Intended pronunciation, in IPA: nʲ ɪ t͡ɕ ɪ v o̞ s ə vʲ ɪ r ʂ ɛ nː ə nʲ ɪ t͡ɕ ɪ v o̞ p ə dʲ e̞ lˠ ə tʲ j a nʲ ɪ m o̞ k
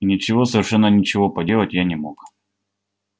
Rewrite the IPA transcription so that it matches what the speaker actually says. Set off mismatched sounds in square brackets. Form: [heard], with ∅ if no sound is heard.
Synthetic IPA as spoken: nʲ ɪ t͡ɕ ɪ v o̞ s ə vʲ ɪ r ʂ ɛ nː ə nʲ ɪ t͡ɕ ɪ v o̞ p [ɐ] dʲ e̞ lˠ ə tʲ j a nʲ ɪ m o̞ k